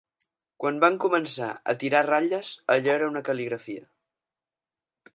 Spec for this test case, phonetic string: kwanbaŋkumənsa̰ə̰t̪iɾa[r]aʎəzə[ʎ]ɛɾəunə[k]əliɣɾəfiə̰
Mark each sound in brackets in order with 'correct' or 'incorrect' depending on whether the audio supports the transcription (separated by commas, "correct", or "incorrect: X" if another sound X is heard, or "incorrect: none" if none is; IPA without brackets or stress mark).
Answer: correct, correct, correct